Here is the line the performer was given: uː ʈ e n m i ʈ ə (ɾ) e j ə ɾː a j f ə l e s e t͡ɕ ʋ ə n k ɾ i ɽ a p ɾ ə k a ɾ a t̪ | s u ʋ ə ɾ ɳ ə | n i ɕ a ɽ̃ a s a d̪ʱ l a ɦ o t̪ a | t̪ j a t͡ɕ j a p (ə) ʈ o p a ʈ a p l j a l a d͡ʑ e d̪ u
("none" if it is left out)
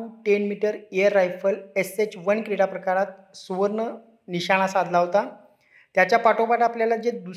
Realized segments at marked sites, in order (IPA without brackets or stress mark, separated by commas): ɾ, a